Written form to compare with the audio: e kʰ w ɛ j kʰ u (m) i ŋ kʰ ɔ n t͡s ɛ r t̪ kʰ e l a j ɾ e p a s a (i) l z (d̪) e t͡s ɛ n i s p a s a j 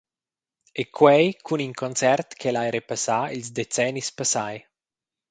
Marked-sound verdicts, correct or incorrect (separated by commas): incorrect, correct, correct